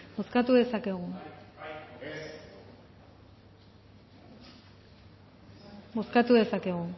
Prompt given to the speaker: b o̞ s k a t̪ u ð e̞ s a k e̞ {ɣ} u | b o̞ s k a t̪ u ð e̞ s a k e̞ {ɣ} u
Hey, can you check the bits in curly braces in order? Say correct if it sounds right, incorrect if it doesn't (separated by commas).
correct, correct